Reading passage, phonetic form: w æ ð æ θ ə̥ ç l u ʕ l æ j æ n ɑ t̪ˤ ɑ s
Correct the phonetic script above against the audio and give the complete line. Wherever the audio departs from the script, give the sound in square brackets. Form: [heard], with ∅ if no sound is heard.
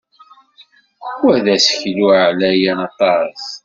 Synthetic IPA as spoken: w æ ð æ [s] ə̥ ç l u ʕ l æ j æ n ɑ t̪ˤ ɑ s